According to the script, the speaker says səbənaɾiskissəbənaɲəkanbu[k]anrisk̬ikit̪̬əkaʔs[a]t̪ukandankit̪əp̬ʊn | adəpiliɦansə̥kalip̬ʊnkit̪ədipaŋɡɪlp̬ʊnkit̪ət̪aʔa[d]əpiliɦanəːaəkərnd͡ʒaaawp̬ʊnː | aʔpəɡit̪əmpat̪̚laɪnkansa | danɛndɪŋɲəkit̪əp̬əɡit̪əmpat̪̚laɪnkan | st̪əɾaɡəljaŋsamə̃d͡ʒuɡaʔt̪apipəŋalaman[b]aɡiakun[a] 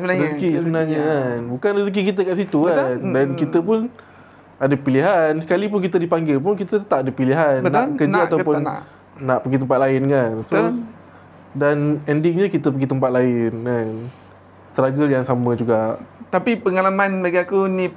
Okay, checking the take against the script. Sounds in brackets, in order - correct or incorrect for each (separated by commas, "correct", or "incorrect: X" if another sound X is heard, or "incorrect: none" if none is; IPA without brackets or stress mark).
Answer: correct, incorrect: i, correct, correct, incorrect: i